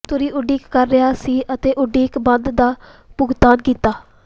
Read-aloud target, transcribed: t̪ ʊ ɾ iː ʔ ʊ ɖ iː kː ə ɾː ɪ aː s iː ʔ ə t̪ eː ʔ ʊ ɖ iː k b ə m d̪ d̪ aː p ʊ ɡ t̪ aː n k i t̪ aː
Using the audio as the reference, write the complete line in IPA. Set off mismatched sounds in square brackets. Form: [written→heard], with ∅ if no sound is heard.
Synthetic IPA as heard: t̪ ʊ ɾ iː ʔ ʊ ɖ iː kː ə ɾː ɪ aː s iː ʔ ə t̪ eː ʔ ʊ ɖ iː k b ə [m→n] d̪ d̪ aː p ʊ ɡ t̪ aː n k [i→iː] t̪ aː